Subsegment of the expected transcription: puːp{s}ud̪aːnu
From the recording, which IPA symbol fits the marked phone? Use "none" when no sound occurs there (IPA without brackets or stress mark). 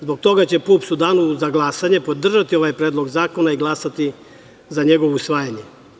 s